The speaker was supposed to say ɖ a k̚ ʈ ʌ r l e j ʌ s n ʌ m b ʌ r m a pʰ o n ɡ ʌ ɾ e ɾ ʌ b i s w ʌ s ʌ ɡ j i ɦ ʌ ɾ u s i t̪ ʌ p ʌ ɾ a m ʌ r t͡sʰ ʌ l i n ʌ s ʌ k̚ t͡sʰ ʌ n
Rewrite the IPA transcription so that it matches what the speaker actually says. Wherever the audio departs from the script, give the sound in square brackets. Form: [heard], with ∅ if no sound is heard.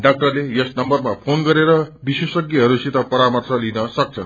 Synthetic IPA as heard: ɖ a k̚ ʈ ʌ r l e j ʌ s n ʌ m b ʌ r m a pʰ o n ɡ ʌ ɾ e ɾ ʌ b i s w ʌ s ʌ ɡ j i ɦ ʌ ɾ u s i t̪ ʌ p ʌ ɾ a m ʌ r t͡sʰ ʌ l i n ʌ s ʌ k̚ t͡sʰ ʌ n